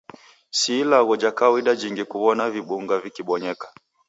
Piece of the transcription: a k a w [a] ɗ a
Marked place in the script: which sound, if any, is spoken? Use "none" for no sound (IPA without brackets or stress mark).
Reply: i